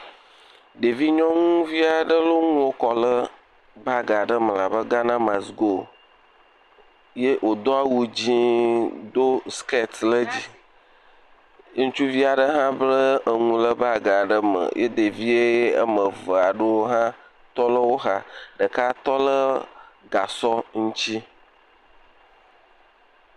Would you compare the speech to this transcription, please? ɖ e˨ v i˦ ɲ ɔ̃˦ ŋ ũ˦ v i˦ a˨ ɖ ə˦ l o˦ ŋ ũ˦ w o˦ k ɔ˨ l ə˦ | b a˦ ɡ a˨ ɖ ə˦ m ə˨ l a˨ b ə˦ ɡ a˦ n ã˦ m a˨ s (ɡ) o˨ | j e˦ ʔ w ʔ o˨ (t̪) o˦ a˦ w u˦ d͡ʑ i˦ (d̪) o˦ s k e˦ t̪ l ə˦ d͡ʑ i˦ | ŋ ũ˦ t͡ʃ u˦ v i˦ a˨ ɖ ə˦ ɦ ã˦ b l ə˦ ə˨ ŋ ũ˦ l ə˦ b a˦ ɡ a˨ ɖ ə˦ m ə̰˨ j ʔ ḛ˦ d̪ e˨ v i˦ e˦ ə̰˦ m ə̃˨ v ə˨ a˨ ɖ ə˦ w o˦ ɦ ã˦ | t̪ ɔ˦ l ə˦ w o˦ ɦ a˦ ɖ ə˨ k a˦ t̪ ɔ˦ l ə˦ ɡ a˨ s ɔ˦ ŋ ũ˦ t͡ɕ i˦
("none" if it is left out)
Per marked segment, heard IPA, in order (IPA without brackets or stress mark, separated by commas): ɡ, d̪, d̪